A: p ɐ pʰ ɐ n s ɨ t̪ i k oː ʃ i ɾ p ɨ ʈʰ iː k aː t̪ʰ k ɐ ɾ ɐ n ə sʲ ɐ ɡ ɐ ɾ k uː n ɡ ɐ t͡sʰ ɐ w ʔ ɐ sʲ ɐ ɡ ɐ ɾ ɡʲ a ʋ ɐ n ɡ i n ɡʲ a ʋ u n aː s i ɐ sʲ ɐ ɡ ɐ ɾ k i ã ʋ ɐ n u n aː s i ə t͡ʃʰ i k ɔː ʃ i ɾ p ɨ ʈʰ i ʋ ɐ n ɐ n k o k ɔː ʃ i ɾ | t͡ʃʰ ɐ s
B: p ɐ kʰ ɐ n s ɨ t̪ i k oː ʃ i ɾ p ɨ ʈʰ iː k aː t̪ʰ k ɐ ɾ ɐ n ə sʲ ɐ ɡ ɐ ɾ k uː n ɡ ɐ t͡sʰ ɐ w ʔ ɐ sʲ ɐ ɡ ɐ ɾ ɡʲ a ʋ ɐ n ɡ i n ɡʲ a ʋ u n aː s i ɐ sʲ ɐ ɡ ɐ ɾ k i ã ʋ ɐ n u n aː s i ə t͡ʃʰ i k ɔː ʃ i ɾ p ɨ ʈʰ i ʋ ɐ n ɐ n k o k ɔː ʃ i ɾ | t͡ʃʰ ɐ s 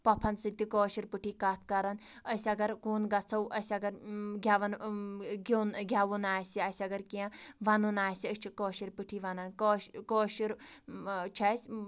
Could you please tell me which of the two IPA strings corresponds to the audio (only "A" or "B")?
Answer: A